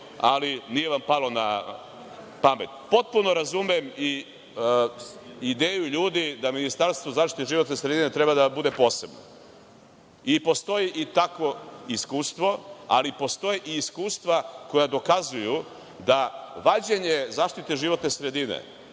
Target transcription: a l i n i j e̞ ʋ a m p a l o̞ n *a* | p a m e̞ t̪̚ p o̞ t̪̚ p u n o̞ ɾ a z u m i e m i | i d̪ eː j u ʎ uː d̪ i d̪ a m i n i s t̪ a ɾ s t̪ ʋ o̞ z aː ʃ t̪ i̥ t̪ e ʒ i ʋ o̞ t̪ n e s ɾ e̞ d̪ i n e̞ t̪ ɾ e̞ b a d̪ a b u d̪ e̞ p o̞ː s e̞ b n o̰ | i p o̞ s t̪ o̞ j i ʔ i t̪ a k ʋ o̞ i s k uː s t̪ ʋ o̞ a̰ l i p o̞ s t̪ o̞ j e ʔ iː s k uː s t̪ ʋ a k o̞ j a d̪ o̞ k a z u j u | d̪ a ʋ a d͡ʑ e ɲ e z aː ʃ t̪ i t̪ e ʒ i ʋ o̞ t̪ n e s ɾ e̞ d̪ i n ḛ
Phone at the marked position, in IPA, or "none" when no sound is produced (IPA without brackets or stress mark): a